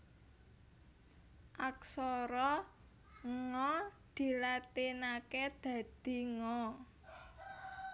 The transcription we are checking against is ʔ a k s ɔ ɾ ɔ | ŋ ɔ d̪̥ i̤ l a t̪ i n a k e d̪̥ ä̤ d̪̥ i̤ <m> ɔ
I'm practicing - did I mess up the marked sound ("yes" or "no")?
yes